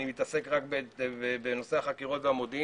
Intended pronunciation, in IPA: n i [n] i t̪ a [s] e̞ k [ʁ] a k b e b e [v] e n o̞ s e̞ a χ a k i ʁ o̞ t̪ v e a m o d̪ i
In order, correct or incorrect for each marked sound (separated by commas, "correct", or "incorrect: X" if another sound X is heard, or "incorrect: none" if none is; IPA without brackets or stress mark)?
incorrect: m, correct, correct, incorrect: b